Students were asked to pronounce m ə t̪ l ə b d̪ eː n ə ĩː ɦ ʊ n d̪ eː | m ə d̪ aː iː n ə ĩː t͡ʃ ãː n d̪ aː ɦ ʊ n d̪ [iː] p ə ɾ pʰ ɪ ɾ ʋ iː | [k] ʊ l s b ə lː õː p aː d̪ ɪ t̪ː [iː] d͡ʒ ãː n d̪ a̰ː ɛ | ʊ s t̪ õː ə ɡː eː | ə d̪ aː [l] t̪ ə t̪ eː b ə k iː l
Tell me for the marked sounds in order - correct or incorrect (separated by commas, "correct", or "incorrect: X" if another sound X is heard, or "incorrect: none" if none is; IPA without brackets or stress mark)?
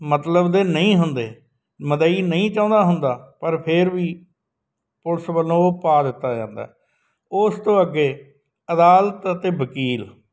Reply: incorrect: aː, incorrect: p, incorrect: aː, correct